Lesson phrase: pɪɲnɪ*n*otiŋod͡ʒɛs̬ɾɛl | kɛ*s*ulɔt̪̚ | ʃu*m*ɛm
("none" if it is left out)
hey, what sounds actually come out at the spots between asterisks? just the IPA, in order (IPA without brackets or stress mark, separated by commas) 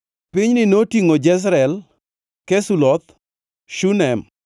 n, s, n